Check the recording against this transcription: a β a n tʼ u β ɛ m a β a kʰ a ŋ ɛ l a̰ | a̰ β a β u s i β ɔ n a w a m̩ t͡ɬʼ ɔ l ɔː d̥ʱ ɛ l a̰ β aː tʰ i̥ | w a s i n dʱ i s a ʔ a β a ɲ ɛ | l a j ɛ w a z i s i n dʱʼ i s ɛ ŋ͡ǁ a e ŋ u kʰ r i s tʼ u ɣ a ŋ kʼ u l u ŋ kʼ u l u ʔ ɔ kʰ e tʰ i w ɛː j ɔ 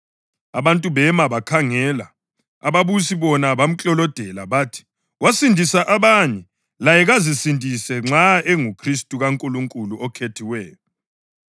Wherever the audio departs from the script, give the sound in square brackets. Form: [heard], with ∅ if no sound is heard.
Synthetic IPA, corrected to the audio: a β a n tʼ u β ɛ m a β a kʰ a ŋ ɛ l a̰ | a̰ β a β u s i β ɔ n a [β] a m̩ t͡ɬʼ ɔ l [ɔ] d̥ʱ ɛ l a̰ β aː tʰ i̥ | w a s i n dʱ i s a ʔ a β a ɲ ɛ | l a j ɛ [ɣ] a z i s i n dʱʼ i s ɛ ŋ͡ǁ a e ŋ u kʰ r i s tʼ u ɣ a ŋ kʼ u l u ŋ kʼ u l u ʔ ɔ kʰ e tʰ i w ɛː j ɔ